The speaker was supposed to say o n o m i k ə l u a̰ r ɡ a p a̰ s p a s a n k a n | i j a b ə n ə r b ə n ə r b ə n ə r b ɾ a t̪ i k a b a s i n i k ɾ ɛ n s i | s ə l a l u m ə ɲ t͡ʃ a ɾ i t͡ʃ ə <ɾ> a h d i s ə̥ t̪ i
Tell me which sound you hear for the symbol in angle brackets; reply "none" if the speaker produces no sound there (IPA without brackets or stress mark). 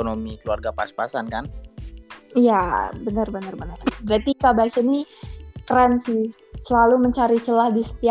l